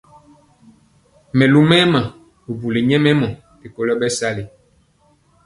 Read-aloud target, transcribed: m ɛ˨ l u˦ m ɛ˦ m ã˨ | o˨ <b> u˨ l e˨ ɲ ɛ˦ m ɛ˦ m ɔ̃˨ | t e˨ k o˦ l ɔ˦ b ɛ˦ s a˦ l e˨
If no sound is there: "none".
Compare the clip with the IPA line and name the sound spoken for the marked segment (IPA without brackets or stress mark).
b